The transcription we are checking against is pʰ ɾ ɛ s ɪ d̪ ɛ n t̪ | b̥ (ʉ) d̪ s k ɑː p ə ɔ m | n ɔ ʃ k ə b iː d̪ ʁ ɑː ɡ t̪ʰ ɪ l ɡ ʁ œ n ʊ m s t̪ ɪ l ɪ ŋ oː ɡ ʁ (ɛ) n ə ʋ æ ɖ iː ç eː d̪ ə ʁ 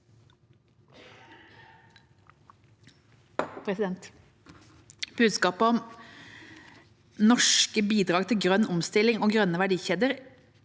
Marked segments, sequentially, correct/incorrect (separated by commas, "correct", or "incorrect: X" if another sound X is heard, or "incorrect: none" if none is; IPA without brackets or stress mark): incorrect: ʉː, incorrect: œ